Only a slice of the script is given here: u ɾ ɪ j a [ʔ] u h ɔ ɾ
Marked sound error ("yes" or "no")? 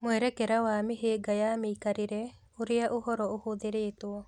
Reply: no